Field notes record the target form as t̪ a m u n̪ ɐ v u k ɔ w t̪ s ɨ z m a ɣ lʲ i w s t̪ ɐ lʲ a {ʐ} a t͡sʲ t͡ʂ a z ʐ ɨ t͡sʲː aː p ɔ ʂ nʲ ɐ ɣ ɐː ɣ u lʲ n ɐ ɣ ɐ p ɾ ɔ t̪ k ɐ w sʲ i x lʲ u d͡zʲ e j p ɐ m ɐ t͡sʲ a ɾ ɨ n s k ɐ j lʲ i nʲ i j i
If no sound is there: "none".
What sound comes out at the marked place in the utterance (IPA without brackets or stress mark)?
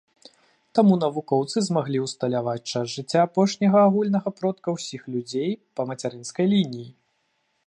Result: v